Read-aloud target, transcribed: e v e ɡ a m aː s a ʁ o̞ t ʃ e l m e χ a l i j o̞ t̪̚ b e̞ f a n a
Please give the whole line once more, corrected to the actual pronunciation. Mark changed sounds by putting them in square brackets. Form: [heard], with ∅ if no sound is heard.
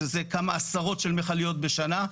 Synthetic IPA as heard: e [z] e [k] a m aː s a ʁ o̞ t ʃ e l m e χ a l i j o̞ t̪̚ b e̞ [ʃ] a n a